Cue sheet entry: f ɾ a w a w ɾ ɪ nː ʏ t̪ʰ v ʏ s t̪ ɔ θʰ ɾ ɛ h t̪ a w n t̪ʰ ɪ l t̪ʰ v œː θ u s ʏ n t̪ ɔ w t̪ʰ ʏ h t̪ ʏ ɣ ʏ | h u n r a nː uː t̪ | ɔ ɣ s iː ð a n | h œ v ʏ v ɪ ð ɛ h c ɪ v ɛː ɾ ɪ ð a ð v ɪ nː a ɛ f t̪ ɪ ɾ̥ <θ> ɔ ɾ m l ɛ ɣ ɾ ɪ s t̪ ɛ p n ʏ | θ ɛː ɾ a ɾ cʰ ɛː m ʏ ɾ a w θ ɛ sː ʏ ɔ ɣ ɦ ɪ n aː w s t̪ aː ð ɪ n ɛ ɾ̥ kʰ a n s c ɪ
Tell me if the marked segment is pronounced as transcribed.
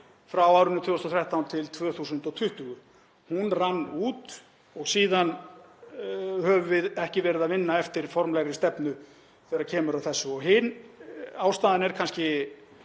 no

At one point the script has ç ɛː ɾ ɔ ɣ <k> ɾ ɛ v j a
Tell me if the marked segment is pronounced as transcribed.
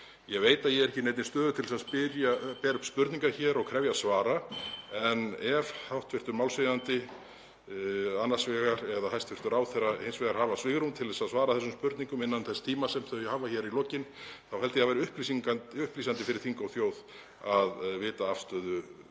no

